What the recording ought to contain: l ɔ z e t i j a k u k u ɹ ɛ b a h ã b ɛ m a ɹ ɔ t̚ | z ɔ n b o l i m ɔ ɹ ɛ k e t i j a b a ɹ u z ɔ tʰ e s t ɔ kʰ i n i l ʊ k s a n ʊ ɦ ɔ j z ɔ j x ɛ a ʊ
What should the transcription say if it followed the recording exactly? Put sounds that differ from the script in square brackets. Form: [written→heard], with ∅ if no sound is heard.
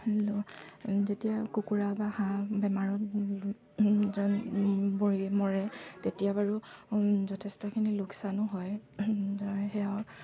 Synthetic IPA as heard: l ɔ z e t i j a k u k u ɹ [ɛ→a] b a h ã b ɛ m a ɹ ɔ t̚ | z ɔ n b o [l→ɹ] i m ɔ ɹ ɛ [k→t] e t i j a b a ɹ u z ɔ tʰ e s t ɔ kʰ i n i l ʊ k s a n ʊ ɦ ɔ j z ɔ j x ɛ a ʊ